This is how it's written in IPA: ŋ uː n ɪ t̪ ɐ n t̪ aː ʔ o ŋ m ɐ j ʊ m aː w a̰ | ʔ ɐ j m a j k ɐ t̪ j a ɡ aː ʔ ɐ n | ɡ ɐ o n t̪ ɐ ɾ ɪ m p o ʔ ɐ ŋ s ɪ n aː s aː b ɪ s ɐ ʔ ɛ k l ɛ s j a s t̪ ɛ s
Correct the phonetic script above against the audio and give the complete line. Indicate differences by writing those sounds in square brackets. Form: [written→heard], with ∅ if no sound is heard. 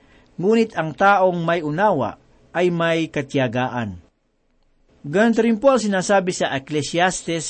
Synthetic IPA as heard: ŋ uː n ɪ t̪ ɐ [n→ŋ] t̪ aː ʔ o ŋ m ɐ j ʊ [m→n] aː w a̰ | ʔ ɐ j m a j k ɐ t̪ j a ɡ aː ʔ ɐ n | ɡ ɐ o n t̪ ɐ ɾ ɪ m p o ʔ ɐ ŋ s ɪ n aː s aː b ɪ s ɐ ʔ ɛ k l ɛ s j a s t̪ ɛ s